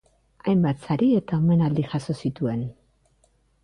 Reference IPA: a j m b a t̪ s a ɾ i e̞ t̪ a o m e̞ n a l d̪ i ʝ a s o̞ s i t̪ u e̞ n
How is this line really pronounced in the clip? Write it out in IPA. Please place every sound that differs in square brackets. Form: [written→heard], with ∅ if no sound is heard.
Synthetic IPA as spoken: a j m b a t̪ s a ɾ i e̞ t̪ a o m e̞ n a l d̪ i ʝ a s o̞ s i t̪ u e̞ n

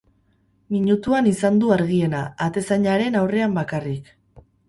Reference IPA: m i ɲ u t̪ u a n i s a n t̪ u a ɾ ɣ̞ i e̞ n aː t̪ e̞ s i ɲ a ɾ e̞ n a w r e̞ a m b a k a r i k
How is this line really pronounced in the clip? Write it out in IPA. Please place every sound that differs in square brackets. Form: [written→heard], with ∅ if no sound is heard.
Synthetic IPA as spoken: m i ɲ u t̪ u a n i s a n [t̪→d̪] u a ɾ ɣ̞ i e̞ n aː t̪ e̞ s [i→a] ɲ a ɾ e̞ n a w r e̞ a m b a k a r i k

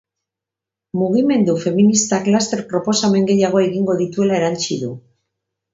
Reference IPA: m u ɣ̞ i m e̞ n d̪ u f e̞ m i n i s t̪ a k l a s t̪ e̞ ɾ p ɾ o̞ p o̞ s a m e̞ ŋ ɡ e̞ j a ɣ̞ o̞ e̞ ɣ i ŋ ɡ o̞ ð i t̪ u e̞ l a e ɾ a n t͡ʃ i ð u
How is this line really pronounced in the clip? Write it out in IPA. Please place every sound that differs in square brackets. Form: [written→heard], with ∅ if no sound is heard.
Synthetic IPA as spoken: m u ɣ̞ i m e̞ n d̪ u f e̞ m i n i s t̪ a k l a s t̪ e̞ ɾ p ɾ o̞ p o̞ s a m e̞ ŋ ɡ e̞ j a ɣ̞ o̞ e̞ ɣ i ŋ ɡ o̞ ð i t̪ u e̞ l a e ɾ a n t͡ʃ i ð u

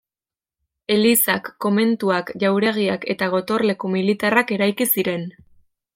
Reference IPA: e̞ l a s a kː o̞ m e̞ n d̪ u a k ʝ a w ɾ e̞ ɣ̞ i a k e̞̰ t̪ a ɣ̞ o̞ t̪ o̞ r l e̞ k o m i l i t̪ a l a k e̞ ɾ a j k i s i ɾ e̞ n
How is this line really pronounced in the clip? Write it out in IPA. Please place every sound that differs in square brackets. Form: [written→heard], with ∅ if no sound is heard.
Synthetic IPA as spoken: e̞ l [a→i] s a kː o̞ m e̞ n [d̪→t̪] u a k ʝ a w ɾ e̞ ɣ̞ i a k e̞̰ t̪ a ɣ̞ o̞ t̪ o̞ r l e̞ k o m i l i t̪ a [l→r] a k e̞ ɾ a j k i s i ɾ e̞ n

